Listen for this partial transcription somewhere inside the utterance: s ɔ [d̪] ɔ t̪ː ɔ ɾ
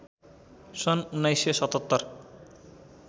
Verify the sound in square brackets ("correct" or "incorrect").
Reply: incorrect